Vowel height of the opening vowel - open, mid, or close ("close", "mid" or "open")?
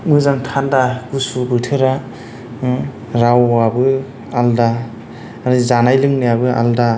close